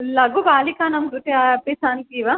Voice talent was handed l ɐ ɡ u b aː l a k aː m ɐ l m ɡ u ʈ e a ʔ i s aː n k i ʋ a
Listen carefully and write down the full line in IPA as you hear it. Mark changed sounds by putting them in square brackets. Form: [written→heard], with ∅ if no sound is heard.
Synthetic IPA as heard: l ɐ ɡ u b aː l [a→i] k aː [m→n] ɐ [l→∅] m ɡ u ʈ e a [ʔ→p] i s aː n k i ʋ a